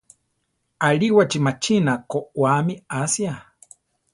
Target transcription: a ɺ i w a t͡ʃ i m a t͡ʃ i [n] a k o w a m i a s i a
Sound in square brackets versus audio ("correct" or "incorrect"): correct